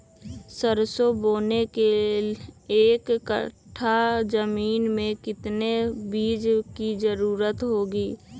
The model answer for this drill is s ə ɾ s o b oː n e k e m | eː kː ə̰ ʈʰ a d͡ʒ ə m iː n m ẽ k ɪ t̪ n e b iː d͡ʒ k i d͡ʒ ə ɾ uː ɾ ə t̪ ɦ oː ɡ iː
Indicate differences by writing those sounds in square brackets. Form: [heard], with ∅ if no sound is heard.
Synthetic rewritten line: s ə ɾ s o b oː n e k e [∅] | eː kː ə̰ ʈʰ a d͡ʒ ə m iː n m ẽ k ɪ t̪ n e b iː d͡ʒ k i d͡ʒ ə ɾ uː ɾ ə t̪ ɦ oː ɡ iː